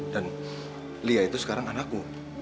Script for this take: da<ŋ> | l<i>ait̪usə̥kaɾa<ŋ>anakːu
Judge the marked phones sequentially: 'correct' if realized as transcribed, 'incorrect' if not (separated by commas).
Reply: incorrect, correct, correct